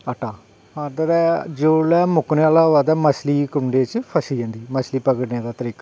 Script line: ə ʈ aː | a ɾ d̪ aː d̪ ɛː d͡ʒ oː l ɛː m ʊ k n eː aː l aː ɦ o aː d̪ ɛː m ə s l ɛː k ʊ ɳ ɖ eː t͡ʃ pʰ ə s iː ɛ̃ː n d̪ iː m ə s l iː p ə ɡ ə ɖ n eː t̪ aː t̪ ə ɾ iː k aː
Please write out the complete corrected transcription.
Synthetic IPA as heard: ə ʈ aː | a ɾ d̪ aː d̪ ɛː d͡ʒ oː l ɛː m ʊ k n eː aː l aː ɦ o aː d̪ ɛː m ə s l iː k ʊ ɳ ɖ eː t͡ʃ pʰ ə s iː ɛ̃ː n d̪ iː m ə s l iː p ə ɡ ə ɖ n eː d̪ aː t̪ ə ɾ iː k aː